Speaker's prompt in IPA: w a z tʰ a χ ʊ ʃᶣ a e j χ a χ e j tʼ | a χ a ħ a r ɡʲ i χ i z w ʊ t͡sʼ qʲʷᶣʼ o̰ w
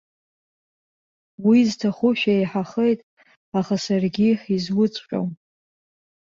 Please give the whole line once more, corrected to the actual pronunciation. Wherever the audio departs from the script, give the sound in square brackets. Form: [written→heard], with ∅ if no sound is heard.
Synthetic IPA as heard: w [a→i] z tʰ a χ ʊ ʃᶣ a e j [χ→ħ] a χ e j tʼ | a χ a [ħ→s] a r ɡʲ i [χ→ħ] i z w ʊ t͡sʼ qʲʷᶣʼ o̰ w

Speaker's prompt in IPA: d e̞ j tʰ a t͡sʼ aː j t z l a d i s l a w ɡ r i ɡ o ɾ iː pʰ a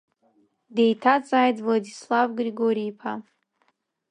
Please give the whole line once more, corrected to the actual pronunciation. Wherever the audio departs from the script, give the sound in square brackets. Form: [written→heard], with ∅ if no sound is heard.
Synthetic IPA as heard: d e̞ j tʰ a t͡sʼ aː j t [z→v] l a d i s l a [w→v] ɡ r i ɡ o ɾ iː pʰ a

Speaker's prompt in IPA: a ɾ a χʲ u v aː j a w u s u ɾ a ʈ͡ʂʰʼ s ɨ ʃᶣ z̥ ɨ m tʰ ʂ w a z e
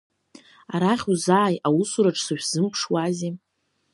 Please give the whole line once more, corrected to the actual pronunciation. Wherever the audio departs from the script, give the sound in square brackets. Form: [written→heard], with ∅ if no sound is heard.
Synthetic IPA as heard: a ɾ a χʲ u [v→z] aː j a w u s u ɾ a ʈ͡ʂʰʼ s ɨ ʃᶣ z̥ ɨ m [tʰ→pʰ] ʂ w a z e

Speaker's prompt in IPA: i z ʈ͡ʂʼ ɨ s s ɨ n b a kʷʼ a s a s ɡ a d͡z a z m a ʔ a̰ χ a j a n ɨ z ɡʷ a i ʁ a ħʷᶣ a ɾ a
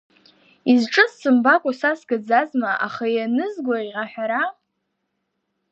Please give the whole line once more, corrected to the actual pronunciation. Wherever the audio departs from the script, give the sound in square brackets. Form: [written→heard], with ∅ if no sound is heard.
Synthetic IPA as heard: i z ʈ͡ʂʼ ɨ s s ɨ [n→m] b a kʷʼ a s a s ɡ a d͡z a z m a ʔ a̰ χ a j a n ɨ z ɡʷ a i ʁ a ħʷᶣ a ɾ a

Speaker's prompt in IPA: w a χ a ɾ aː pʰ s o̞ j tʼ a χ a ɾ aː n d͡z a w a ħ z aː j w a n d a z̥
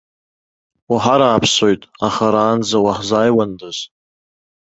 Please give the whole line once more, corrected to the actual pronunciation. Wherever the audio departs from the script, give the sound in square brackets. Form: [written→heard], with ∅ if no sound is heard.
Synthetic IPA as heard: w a [χ→ħ] a ɾ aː pʰ s o̞ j tʼ a χ a ɾ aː n d͡z a w a ħ z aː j w a n d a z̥

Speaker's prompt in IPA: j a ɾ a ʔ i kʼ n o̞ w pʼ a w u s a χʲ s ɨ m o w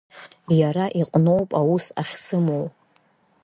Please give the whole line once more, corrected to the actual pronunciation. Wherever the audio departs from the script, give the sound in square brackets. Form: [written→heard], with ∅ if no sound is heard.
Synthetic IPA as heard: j a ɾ a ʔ i [kʼ→qʼ] n o̞ w pʼ a w u s a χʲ s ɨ m o w

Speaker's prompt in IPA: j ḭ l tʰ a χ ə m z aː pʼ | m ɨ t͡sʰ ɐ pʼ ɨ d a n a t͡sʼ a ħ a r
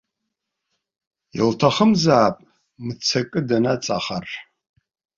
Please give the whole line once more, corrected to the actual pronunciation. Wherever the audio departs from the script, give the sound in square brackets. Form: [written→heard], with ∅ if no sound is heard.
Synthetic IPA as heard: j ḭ l tʰ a χ ə m z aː pʼ | m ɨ t͡sʰ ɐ [pʼ→kʼ] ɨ d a n a t͡sʼ a [ħ→χ] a r

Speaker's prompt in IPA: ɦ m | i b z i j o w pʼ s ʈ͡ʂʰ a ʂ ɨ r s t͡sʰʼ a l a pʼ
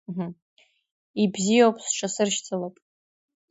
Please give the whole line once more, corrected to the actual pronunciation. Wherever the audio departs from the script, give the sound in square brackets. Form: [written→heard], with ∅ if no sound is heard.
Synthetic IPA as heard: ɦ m | i b z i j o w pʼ s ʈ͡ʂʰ a [ʂ→s] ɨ r [s→ʃ] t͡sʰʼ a l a pʼ

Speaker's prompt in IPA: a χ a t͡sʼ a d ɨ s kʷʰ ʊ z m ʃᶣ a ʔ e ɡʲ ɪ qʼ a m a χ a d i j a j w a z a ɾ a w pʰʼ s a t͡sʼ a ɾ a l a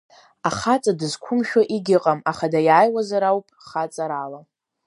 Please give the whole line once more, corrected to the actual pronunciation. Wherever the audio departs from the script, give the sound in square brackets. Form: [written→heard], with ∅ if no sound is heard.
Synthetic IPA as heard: a χ a t͡sʼ a d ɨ [s→z] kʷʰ ʊ [z→∅] m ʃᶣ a ʔ [e→i] ɡʲ ɪ qʼ a m a χ a d [i→a] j a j w a z a ɾ a w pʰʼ [s→χ] a t͡sʼ a ɾ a l a

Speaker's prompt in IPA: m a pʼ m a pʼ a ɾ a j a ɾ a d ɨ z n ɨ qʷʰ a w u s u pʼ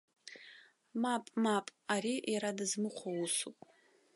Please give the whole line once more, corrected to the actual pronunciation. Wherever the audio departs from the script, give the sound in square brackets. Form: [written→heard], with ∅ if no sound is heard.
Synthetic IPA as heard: m a pʼ m a pʼ a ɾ [a→i] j a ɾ a d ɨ z [n→m] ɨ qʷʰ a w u s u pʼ

